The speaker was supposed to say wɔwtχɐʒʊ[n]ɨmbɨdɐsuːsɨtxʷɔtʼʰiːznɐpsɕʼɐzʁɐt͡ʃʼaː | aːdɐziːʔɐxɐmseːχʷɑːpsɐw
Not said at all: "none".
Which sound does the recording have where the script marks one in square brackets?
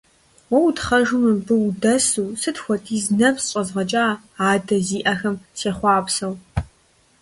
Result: m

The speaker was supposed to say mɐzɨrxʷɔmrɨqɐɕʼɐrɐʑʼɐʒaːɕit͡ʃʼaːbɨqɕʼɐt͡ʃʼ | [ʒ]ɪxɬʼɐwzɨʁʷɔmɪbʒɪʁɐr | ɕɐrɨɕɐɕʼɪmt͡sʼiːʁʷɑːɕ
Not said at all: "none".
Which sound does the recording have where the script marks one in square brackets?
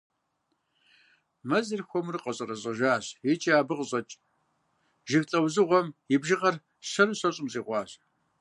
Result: ʒ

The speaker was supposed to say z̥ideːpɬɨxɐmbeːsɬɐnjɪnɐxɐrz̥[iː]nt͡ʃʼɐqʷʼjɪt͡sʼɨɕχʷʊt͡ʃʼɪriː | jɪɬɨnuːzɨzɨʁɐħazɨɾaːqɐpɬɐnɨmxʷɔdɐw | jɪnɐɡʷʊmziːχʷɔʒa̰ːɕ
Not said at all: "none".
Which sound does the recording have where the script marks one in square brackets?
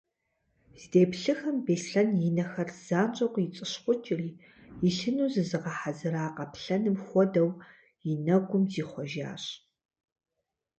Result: aː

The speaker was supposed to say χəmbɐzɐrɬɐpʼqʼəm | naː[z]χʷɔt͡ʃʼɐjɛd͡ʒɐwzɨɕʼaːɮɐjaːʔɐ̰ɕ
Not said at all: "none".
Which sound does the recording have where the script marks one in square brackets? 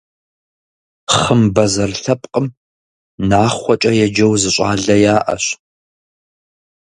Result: none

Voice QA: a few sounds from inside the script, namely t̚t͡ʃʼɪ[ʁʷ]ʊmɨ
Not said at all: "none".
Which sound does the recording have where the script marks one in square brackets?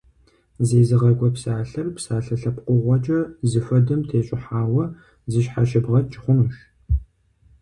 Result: χʷ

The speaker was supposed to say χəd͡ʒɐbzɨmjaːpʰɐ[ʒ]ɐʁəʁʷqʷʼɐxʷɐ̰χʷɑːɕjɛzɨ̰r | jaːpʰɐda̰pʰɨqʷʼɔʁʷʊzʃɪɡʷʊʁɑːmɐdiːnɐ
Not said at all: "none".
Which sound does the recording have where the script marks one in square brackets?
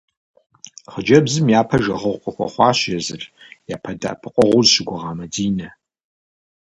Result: ʒ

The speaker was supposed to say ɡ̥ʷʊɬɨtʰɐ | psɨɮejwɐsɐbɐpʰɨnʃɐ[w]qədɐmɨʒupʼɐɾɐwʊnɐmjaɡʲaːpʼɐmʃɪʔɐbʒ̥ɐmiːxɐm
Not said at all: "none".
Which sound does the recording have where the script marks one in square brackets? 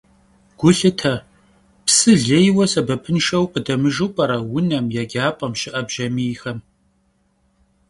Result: w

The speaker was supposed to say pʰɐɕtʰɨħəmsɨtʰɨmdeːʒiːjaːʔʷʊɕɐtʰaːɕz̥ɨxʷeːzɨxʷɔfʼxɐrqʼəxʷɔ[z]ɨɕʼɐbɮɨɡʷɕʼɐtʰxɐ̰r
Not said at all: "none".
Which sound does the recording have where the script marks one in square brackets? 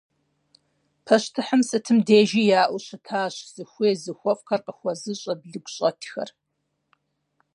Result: z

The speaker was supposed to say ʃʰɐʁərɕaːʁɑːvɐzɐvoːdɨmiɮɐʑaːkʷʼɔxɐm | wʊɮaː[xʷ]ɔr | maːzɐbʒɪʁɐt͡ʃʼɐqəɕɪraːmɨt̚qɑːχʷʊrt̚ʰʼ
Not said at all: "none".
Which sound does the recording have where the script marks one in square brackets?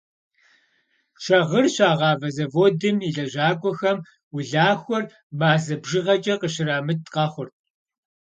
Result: xʷ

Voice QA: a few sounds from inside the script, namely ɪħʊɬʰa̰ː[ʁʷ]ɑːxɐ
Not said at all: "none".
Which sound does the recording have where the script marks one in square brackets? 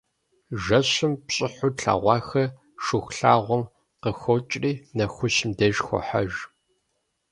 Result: ʁʷ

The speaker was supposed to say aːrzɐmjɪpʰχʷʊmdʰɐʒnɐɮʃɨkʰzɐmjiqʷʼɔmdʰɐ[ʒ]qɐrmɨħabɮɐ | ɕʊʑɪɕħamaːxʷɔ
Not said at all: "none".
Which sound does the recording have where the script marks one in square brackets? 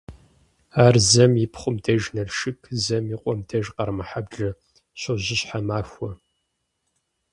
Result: ʒ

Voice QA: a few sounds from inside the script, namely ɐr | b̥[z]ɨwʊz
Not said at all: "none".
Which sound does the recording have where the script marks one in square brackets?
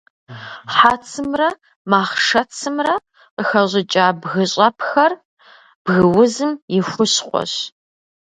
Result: ɣ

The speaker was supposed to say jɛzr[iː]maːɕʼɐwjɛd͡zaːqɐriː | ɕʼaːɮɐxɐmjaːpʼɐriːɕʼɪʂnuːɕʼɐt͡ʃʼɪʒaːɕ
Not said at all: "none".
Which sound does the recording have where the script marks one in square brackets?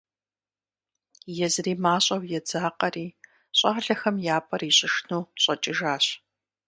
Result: iː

